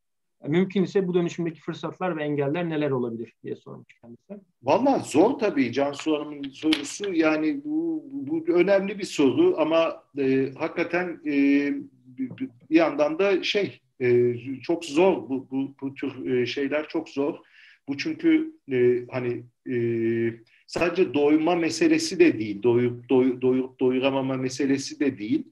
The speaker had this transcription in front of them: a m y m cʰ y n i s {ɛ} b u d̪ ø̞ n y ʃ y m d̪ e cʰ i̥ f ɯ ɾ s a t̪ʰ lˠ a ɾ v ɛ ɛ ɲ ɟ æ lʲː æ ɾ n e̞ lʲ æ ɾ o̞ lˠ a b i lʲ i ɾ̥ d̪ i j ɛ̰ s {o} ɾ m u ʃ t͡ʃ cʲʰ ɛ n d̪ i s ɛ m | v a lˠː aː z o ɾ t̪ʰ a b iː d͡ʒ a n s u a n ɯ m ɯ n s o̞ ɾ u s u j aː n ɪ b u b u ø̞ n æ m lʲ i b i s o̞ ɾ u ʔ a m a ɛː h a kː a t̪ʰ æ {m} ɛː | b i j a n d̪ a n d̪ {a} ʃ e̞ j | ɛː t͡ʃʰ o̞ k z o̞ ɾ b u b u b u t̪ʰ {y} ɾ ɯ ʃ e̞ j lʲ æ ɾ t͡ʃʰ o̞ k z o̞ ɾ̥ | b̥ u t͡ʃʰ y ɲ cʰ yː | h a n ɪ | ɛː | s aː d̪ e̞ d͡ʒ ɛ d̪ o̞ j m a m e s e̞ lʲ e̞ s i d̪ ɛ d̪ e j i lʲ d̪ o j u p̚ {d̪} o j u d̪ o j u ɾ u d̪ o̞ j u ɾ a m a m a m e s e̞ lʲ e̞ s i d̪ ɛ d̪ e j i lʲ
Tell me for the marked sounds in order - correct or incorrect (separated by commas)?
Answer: correct, correct, incorrect, correct, correct, correct